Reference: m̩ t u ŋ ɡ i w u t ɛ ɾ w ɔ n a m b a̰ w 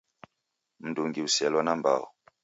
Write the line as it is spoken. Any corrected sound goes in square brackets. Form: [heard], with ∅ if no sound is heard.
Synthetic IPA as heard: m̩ [d] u ŋ ɡ i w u [s] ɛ [l] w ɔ n a m b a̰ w